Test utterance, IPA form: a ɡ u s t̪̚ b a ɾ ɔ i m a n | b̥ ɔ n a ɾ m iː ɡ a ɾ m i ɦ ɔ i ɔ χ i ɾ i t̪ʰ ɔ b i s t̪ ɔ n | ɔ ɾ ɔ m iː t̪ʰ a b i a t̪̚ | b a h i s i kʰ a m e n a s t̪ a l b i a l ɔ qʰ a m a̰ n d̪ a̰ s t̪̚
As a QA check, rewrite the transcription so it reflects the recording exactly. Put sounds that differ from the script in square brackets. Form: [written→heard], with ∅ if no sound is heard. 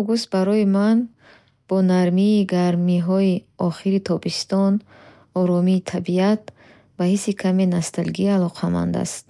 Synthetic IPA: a ɡ u s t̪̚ b a ɾ ɔ i m a n | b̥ ɔ n a ɾ m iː ɡ a ɾ m i ɦ ɔ i ɔ χ i ɾ i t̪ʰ ɔ b i s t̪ ɔ n | ɔ ɾ ɔ m iː t̪ʰ a b i a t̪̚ | b a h i s i kʰ a m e n a s t̪ a l [b→ɡ] i a l ɔ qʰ a m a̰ n d̪ a̰ s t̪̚